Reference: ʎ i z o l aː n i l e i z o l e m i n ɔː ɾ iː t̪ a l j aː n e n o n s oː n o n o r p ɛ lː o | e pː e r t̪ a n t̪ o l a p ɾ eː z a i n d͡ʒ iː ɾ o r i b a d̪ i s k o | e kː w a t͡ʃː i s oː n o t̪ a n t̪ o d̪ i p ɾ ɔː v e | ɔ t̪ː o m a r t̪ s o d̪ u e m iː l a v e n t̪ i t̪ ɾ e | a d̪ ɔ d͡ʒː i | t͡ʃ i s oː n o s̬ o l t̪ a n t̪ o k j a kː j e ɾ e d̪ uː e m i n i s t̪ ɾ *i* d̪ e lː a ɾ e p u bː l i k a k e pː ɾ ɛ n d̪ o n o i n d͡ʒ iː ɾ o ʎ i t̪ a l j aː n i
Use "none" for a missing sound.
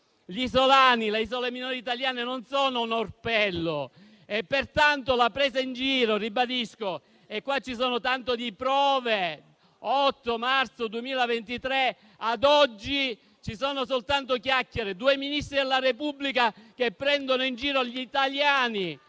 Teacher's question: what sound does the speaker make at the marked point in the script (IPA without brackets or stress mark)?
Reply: i